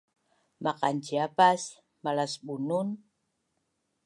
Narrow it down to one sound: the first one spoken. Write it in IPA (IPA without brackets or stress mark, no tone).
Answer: m